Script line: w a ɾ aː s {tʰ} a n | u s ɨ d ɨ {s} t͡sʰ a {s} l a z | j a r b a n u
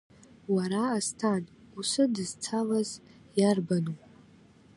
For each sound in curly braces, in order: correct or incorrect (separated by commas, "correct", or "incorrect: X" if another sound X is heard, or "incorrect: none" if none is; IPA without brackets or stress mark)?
correct, incorrect: z, incorrect: none